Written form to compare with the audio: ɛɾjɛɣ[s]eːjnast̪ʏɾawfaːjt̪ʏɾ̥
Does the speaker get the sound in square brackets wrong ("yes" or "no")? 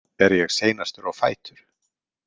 no